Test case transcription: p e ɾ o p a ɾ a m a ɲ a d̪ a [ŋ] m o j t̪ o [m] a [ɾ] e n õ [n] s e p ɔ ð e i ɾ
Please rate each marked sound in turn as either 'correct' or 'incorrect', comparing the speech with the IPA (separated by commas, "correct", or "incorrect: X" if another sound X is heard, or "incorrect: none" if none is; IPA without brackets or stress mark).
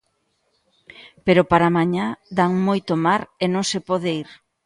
correct, correct, correct, incorrect: ŋ